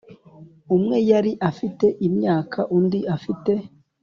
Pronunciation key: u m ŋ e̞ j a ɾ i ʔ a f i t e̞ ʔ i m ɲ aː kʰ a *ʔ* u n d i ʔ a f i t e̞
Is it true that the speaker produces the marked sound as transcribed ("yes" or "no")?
yes